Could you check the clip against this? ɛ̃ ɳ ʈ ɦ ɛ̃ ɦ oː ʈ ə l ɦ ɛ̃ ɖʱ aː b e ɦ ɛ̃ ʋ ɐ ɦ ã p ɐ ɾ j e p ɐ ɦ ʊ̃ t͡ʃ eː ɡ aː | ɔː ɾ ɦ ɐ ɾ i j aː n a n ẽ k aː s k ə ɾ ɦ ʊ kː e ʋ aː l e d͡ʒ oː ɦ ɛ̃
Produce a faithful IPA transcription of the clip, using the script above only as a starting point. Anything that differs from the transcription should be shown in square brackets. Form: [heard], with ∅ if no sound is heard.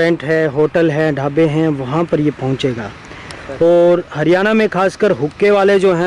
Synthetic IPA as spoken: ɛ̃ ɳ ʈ ɦ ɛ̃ ɦ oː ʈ ə l ɦ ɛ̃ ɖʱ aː b e ɦ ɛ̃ ʋ ɐ ɦ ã p ɐ ɾ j e p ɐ ɦ ʊ̃ t͡ʃ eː ɡ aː | ɔː ɾ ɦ ɐ ɾ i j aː n a [m] ẽ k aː s k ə ɾ ɦ ʊ kː e ʋ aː l e d͡ʒ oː ɦ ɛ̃